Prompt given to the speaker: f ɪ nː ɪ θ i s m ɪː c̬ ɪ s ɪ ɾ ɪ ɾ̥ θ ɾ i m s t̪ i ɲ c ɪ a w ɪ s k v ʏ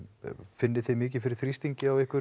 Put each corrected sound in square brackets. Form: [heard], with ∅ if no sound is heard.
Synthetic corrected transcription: f ɪ nː ɪ θ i [∅] m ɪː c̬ ɪ [f] ɪ ɾ ɪ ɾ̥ θ ɾ i [∅] s t̪ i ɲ c ɪ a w ɪ [h] k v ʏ